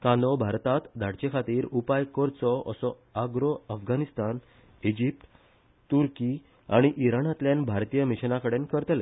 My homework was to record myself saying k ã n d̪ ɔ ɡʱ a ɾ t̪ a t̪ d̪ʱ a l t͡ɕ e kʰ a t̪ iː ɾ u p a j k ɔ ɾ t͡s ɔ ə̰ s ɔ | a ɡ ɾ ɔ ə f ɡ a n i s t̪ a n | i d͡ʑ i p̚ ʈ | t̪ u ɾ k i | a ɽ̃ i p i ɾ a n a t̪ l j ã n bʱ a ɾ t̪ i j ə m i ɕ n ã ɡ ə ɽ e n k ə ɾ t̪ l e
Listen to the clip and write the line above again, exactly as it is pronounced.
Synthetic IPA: k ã n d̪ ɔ bʱ a ɾ t̪ a t̪ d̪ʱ a ɽ t͡ɕ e kʰ a t̪ iː ɾ u p a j k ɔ ɾ t͡s ɔ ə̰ s ɔ | a ɡ ɾ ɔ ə f ɡ a n i s t̪ a n | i d͡ʑ i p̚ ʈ | t̪ u ɾ k i | a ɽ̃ i ʔ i ɾ a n a t̪ l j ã n bʱ a ɾ t̪ i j ə m i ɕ n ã k ə ɽ e n k ə ɾ t̪ l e